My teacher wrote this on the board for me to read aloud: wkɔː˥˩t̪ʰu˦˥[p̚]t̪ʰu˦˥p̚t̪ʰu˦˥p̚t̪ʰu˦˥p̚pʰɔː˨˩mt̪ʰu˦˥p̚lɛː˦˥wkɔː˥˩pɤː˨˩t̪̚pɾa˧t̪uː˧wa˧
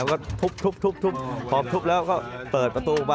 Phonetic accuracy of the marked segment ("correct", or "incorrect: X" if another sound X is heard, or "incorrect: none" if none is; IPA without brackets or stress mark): correct